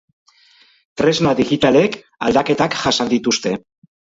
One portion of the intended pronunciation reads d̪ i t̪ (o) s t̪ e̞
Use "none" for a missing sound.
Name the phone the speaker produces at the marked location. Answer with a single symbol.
u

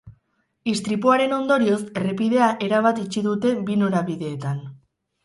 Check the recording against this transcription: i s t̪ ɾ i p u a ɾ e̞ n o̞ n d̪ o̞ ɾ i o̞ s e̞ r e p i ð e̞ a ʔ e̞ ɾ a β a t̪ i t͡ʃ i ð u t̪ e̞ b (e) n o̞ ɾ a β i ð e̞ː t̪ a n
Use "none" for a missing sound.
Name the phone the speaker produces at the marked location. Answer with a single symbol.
i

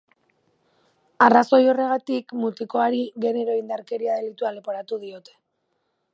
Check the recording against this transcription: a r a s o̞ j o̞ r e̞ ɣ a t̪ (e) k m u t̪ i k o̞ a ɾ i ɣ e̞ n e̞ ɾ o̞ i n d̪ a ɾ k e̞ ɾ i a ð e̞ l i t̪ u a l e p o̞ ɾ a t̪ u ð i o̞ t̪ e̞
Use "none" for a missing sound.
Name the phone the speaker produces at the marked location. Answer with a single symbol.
i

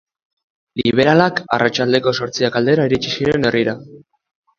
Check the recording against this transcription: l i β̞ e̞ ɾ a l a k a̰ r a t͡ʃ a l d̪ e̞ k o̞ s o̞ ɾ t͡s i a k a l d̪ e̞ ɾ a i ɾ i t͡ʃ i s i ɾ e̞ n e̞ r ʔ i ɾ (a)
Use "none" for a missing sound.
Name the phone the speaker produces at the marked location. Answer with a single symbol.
a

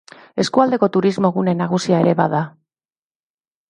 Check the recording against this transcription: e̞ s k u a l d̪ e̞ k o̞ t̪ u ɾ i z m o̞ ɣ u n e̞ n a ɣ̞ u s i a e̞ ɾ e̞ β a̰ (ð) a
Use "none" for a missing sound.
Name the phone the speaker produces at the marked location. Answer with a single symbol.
ð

